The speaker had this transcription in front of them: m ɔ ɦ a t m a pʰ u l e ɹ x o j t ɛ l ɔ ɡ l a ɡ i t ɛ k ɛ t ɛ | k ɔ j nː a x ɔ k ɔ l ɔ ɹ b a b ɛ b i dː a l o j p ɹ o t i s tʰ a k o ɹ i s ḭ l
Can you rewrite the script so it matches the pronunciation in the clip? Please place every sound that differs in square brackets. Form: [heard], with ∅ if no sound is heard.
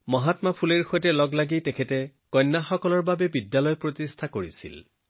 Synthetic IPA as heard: m ɔ ɦ a t m a pʰ u l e ɹ x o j t ɛ l ɔ ɡ l a ɡ i t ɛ [kʰ] ɛ t ɛ | k ɔ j nː a x ɔ k ɔ l ɔ ɹ b a b ɛ b i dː a l [ɔ] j p ɹ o t i s tʰ a k o ɹ i s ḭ l